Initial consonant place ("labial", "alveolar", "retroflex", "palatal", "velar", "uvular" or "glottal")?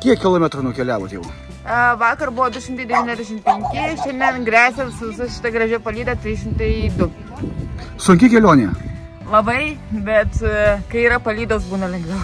velar